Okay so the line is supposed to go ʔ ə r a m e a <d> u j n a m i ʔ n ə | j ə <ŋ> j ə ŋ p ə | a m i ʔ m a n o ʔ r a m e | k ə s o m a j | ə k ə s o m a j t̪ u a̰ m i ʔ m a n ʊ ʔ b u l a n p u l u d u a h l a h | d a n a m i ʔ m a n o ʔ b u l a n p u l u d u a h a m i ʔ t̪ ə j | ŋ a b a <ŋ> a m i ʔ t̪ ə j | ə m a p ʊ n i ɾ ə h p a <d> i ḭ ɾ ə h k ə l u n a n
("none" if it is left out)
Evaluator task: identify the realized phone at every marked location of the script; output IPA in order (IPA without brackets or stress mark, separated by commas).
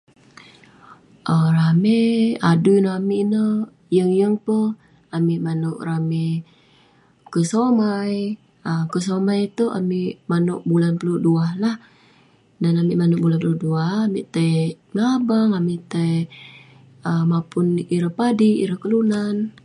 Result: d, ŋ, ŋ, d